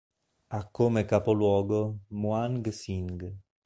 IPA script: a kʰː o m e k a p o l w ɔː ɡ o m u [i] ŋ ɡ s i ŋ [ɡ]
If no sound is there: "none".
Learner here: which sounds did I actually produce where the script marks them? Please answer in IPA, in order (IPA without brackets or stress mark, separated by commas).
a, ɡ